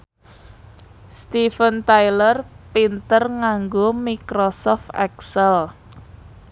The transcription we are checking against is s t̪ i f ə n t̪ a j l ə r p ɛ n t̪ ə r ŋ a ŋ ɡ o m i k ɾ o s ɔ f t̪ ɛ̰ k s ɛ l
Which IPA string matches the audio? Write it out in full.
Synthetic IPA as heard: s t̪ i f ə n t̪ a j l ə r p i n t̪ ə r ŋ a ŋ ɡ o m i k ɾ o s ɔ f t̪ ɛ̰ k s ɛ l